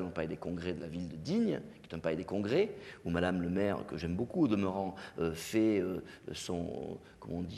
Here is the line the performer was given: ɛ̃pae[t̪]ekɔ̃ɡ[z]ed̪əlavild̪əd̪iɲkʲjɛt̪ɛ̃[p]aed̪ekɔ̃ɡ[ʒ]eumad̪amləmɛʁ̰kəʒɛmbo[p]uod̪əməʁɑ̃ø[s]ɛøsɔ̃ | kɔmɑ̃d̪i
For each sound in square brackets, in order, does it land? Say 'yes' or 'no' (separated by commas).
no, no, yes, no, no, no